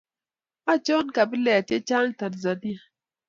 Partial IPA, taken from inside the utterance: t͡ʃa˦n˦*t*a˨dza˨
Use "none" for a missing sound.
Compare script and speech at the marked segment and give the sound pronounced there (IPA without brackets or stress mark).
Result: t